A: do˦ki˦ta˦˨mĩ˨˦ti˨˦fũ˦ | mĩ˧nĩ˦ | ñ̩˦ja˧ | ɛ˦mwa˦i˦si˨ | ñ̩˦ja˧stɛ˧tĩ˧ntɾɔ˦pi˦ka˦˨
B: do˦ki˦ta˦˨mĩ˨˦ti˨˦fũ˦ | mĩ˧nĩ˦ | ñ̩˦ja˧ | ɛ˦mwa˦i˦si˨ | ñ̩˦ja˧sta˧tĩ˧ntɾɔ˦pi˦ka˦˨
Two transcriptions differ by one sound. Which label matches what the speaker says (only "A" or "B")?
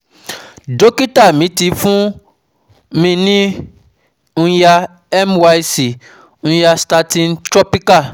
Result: B